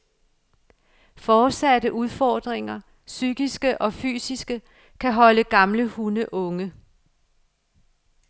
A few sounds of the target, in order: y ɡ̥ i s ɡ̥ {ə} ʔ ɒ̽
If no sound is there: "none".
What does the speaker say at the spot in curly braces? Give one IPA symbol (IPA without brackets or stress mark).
ə